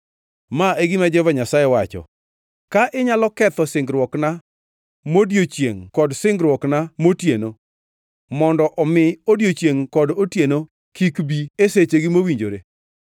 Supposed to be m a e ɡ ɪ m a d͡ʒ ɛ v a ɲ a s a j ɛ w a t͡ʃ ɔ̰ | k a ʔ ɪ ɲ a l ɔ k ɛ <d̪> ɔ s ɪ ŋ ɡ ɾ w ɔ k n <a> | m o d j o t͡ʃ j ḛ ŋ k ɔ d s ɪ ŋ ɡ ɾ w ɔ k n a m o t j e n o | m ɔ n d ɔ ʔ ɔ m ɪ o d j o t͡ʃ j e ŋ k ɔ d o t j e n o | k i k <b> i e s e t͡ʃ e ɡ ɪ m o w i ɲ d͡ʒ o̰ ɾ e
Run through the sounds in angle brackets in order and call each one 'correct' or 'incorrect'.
incorrect: t̪, correct, correct

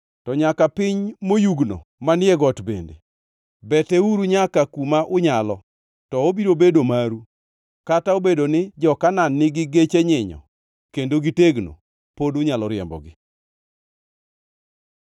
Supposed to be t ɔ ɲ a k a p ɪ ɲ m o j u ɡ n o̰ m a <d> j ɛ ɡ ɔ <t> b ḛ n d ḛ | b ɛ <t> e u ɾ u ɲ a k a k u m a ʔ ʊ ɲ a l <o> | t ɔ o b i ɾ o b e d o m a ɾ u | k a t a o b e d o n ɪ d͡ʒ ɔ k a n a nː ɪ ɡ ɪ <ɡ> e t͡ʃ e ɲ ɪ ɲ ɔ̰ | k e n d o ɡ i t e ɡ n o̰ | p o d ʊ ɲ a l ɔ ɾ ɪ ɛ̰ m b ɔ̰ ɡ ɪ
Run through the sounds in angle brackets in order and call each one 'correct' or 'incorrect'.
incorrect: n, correct, correct, incorrect: ɔ, correct

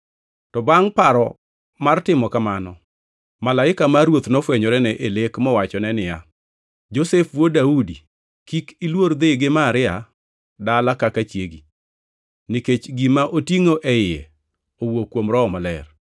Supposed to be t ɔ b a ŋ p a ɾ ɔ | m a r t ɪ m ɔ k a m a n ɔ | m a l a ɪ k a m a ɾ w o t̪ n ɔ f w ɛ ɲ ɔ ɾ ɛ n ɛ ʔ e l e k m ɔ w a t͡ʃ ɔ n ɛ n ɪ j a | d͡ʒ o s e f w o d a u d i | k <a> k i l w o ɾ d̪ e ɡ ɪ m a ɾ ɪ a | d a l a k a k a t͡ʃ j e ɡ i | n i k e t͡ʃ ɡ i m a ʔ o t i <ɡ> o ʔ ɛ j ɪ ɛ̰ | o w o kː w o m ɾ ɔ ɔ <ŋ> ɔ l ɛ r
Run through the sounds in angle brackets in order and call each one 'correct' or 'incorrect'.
incorrect: i, incorrect: ŋ, incorrect: m

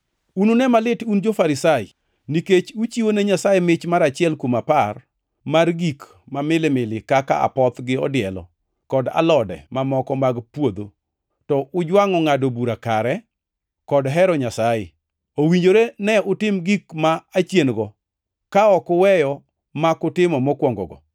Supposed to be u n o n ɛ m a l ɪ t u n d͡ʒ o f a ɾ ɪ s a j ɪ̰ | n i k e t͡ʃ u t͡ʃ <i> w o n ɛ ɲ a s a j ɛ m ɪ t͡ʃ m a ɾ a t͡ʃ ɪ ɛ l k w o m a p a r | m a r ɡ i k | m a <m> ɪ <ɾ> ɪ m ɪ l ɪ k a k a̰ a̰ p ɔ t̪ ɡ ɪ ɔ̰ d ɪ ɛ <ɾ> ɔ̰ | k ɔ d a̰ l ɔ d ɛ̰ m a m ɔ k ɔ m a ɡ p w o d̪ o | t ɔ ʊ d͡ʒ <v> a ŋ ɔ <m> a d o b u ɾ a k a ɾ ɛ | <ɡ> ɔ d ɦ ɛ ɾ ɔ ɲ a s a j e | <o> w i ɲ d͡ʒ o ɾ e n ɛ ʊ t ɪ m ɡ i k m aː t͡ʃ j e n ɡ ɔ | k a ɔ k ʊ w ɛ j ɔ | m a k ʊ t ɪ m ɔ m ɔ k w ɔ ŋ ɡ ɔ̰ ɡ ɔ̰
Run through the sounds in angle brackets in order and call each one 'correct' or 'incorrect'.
correct, correct, incorrect: l, incorrect: l, incorrect: w, incorrect: ŋ, incorrect: k, correct

